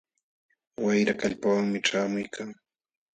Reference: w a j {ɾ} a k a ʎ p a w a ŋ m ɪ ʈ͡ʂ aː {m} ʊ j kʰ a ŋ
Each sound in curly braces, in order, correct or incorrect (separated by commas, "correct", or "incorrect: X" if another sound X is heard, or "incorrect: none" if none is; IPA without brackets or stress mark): correct, correct